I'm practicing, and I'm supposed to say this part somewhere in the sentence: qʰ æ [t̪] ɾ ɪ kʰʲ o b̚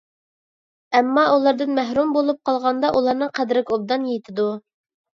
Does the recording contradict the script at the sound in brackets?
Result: yes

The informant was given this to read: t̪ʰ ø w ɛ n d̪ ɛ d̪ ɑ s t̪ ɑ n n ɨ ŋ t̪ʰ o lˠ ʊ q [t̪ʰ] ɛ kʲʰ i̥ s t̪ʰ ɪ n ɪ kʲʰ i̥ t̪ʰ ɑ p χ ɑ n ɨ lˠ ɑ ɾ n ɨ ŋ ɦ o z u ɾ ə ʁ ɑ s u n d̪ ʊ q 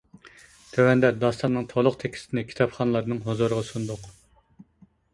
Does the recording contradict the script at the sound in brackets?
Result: no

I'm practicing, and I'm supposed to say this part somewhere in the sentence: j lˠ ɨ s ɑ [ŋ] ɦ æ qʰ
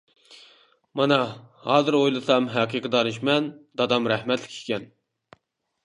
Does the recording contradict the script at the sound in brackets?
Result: yes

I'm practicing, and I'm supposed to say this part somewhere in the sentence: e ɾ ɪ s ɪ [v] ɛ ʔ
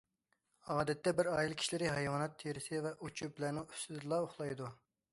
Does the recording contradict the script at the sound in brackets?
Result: no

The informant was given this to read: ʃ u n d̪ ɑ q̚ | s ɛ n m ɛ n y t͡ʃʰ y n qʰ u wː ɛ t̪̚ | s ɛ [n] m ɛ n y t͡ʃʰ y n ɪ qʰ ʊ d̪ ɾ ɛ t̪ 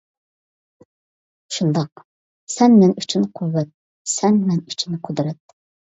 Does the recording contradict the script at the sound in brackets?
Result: no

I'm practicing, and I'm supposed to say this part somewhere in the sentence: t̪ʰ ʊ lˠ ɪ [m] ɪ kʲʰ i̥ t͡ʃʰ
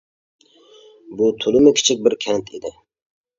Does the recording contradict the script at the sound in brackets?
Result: no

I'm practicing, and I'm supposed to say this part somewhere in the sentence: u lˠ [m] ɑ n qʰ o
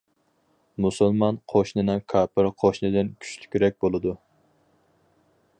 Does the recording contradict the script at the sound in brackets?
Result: no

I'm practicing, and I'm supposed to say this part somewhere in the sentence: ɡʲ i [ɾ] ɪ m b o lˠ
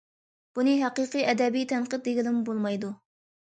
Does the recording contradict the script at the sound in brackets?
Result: yes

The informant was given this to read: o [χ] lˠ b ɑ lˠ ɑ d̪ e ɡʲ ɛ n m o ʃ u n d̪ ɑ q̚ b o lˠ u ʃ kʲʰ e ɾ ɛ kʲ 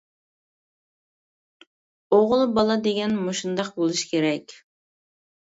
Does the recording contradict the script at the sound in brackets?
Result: yes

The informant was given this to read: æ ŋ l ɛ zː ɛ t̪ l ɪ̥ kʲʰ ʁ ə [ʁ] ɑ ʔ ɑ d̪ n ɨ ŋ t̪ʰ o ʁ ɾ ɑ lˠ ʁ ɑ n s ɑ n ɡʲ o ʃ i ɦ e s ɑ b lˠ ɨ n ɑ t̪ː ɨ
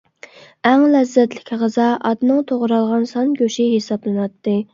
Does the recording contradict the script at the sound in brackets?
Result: yes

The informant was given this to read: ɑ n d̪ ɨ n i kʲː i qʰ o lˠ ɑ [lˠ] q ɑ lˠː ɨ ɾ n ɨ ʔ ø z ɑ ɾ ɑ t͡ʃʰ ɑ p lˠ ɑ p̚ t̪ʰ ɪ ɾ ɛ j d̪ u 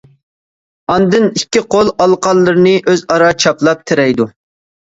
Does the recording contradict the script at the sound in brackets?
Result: no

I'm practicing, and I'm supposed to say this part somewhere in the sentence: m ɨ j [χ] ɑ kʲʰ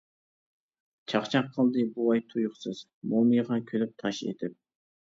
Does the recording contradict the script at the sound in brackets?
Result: yes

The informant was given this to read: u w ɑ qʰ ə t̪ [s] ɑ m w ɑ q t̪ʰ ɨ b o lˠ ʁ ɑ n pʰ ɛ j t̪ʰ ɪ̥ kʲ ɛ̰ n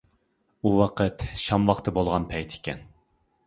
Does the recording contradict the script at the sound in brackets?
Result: yes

